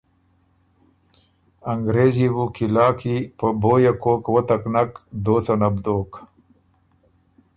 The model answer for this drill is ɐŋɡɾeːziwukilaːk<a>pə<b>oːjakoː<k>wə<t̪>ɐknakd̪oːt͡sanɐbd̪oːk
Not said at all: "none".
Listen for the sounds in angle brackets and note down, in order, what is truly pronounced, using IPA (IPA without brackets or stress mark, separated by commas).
i, b, k, t̪